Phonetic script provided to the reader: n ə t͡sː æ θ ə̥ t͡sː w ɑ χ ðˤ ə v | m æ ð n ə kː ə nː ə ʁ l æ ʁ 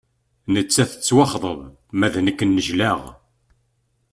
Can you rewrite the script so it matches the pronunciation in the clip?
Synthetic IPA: n ə t͡sː æ θ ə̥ t͡sː w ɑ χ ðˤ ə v | m æ ð n ə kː ə nː ə ʒ l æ ʁ